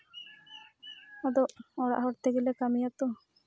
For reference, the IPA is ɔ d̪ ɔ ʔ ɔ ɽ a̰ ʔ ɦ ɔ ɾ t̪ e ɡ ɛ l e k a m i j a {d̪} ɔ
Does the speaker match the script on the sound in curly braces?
no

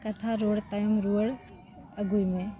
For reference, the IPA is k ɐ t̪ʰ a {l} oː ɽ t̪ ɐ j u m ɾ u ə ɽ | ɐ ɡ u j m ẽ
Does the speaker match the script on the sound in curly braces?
no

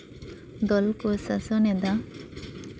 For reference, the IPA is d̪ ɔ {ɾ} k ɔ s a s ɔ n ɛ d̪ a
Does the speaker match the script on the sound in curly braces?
no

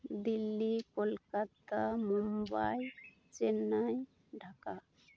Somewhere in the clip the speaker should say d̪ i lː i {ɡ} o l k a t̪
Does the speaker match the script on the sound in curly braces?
no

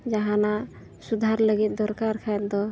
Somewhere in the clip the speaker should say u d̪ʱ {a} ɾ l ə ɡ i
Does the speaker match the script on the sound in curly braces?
yes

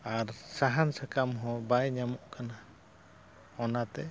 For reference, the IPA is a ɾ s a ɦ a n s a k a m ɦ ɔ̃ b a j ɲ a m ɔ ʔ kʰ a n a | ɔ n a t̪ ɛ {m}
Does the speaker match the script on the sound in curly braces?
no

